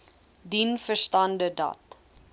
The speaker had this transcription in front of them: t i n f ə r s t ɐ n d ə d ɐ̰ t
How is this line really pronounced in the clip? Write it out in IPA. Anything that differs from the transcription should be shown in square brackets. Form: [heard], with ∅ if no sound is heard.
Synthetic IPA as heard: [d] i n f ə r s t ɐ n d ə d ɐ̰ t

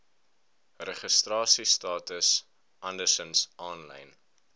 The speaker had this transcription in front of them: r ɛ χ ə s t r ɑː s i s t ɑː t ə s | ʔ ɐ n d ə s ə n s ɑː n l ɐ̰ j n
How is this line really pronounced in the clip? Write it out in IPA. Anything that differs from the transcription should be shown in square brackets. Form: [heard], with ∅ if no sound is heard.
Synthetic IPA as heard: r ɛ χ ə s t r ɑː s i s t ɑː t ə s | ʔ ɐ n d ə s ə n s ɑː n l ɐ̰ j n

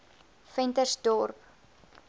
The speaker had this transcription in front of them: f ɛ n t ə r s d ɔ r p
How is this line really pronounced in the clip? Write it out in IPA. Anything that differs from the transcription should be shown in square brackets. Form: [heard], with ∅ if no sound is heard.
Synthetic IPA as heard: f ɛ n t ə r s d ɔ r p

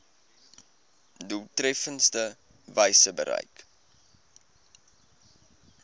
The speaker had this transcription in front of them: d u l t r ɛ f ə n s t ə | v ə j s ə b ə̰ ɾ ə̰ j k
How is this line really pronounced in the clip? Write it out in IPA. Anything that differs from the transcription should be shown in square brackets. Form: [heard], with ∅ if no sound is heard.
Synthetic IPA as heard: d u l t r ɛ f ə n s t ə | v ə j s ə b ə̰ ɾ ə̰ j k

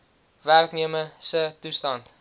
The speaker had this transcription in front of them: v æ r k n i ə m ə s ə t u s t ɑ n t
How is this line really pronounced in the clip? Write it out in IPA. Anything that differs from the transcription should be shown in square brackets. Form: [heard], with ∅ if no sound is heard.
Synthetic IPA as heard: v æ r k n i ə m ə s ə t u s t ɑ n t

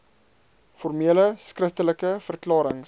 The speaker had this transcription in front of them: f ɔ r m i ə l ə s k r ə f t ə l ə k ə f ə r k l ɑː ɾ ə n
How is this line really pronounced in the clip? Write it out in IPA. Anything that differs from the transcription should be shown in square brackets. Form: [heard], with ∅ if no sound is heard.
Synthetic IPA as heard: f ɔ r m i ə l ə s k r ə f t ə l ə k ə f ə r k l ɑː ɾ ə [ŋ]

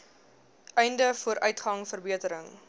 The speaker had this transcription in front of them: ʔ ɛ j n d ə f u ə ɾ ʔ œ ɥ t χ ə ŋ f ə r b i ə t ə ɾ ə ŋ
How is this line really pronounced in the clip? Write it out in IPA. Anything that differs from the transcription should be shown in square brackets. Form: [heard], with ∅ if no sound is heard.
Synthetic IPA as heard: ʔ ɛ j n d ə f u ə ɾ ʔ œ ɥ t χ [ɐ] ŋ f ə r b i ə t ə ɾ ə ŋ

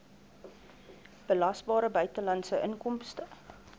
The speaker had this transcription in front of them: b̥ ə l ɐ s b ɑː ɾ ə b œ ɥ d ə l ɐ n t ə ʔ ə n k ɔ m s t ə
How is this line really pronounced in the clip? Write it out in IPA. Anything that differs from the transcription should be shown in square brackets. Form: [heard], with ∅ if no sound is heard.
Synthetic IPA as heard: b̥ ə l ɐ s b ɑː ɾ ə b œ ɥ [t] ə l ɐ n [s] ə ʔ ə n k ɔ m s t ə

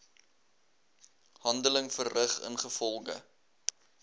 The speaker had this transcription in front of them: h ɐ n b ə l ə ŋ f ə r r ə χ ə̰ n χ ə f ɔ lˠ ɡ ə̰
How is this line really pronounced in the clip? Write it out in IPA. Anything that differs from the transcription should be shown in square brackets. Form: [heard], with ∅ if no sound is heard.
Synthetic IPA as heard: h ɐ n [d] ə l ə ŋ f ə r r ə χ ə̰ n χ ə f ɔ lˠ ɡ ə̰

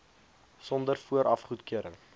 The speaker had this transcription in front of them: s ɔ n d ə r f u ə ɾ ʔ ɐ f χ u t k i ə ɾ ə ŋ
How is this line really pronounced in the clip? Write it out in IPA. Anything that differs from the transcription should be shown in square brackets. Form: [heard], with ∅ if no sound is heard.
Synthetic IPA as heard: s ɔ n d ə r f u ə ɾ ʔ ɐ f χ u t k i ə ɾ ə ŋ

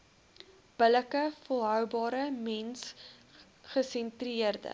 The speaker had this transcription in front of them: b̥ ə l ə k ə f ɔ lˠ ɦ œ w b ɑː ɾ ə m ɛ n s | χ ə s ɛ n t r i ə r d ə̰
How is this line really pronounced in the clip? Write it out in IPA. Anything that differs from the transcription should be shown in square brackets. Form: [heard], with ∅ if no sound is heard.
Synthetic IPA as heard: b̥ ə l ə k ə f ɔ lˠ ɦ œ w b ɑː ɾ ə m ɛ n s | χ ə s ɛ n t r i ə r d ə̰

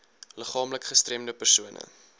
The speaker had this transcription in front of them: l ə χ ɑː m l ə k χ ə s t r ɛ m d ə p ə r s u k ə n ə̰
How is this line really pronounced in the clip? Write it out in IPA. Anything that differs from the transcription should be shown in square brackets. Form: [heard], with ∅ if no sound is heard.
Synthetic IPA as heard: l ə χ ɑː m l ə k χ ə s t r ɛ m d ə p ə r s u [∅] ə n ə̰

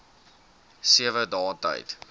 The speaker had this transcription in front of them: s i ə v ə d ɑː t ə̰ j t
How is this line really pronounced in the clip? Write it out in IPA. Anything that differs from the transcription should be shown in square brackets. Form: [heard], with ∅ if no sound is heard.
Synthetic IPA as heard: s i ə v ə d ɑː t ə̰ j t

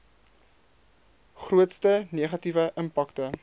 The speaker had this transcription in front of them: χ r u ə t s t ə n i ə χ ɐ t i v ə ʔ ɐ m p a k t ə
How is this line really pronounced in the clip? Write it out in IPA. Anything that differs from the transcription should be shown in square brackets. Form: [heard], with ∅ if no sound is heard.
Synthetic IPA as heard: χ r u ə t s t ə n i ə χ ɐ t i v ə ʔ [ə] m p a k t ə

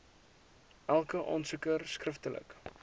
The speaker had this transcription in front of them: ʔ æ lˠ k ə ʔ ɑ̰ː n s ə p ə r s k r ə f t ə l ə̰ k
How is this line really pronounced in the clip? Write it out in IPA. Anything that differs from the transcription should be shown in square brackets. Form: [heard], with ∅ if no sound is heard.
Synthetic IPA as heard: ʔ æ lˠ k ə ʔ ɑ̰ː n s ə [k] ə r s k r ə f t ə l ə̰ k

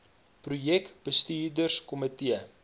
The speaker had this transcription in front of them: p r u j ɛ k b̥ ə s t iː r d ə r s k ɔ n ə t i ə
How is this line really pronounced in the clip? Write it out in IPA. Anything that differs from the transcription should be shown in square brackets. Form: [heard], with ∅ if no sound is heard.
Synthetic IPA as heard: p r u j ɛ k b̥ ə s t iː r d ə r s k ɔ [m] ə t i ə

